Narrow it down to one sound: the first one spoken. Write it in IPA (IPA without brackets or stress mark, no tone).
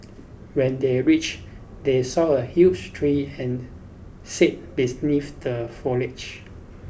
w